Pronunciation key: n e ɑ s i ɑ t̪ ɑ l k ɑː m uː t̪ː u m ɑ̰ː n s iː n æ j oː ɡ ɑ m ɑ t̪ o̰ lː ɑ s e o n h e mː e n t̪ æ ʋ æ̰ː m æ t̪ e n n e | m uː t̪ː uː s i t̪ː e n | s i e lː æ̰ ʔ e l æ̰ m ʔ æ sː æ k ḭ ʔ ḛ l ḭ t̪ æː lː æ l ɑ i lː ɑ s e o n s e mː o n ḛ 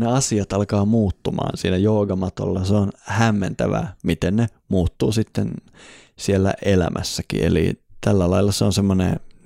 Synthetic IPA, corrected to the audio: n e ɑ s i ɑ t̪ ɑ l k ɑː m uː t̪ː u m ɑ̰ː n s iː n æ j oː ɡ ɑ m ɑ t̪ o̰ lː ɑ s e o n h æ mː e n t̪ æ ʋ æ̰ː m i t̪ e n n e | m uː t̪ː uː s i t̪ː e n | s i e lː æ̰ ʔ e l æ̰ m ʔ æ sː æ k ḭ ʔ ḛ l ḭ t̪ æ lː æ l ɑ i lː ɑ s e o n s e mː o n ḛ